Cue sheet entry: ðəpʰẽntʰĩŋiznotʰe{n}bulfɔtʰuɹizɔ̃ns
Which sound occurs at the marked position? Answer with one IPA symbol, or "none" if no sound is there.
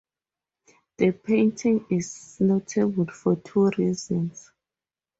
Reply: none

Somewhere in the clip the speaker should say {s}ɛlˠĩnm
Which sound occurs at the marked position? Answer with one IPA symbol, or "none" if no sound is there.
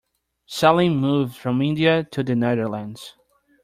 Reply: s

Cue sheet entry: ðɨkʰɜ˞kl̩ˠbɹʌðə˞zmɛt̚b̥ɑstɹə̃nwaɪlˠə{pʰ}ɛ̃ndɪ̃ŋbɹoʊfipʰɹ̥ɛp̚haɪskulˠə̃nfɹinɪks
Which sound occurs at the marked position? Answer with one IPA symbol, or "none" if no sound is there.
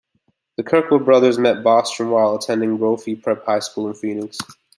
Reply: tʰ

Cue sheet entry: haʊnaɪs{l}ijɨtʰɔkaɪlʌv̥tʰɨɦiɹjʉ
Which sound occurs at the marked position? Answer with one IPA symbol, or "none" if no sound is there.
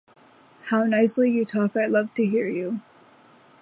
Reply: l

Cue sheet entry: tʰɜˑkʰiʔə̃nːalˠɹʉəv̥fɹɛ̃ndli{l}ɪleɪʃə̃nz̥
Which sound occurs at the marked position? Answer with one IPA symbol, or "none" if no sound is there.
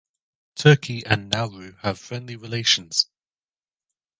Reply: ɹ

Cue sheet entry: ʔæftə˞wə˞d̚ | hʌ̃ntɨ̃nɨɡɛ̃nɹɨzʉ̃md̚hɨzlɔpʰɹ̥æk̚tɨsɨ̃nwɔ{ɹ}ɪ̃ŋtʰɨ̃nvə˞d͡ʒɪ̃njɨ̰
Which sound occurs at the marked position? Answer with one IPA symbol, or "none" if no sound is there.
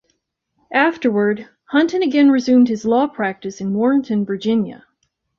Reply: ɹ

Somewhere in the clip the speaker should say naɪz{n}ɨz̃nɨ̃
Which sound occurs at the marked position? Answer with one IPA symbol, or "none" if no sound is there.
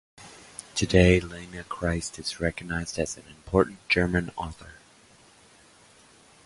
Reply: d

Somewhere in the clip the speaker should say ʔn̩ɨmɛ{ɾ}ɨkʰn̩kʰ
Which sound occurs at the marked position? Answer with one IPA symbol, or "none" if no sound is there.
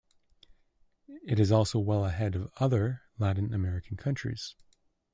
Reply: ɹ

